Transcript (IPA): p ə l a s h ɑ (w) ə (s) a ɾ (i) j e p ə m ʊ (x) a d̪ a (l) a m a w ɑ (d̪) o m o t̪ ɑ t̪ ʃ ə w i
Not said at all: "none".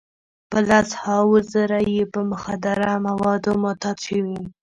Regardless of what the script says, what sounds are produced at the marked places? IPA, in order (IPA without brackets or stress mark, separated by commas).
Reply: w, z, a, x, ɾ, d̪